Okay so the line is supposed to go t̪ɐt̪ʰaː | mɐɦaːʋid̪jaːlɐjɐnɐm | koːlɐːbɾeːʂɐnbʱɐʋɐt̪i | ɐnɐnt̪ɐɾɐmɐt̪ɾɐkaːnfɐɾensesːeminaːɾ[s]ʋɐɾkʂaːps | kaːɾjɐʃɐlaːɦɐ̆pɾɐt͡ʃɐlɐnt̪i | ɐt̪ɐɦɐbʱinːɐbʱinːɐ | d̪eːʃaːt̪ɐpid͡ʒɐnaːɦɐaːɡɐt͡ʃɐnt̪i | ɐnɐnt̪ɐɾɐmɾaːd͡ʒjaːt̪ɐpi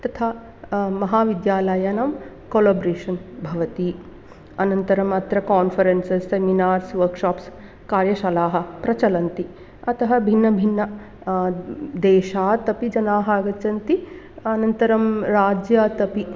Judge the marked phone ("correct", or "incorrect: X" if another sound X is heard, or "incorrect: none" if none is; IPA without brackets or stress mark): correct